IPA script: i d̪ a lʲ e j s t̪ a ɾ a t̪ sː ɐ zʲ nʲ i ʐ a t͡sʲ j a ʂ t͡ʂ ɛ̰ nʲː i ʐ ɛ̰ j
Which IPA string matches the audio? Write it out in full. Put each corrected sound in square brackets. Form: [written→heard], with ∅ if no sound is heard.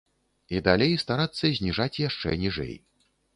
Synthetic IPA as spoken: i d̪ a lʲ e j s t̪ a ɾ a t̪ sː ɐ zʲ nʲ i ʐ a t͡sʲ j a ʂ t͡ʂ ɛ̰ [nʲː→nʲ] i ʐ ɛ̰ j